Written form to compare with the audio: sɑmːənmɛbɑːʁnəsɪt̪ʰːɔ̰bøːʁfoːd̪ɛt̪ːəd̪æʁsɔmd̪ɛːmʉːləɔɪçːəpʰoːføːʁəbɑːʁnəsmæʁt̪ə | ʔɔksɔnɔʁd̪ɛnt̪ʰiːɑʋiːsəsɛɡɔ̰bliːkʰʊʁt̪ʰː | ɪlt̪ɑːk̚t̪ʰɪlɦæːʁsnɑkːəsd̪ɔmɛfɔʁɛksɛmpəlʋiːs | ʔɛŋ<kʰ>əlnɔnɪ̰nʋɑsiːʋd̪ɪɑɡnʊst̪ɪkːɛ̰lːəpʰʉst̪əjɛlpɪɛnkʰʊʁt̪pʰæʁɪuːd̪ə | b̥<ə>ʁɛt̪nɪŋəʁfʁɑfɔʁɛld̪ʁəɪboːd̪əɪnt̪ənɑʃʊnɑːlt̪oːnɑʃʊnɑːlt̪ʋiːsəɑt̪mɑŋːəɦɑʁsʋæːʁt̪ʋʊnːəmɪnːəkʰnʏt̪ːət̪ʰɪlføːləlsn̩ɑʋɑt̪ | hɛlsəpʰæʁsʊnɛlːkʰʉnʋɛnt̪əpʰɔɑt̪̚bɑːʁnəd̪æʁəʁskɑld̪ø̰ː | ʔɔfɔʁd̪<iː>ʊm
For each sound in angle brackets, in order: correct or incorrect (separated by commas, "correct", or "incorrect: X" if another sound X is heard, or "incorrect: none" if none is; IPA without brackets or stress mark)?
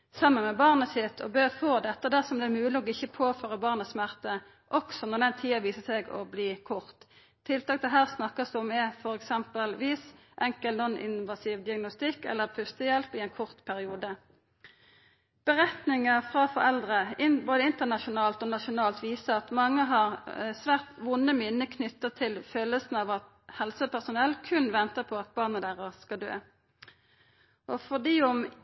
incorrect: k, correct, correct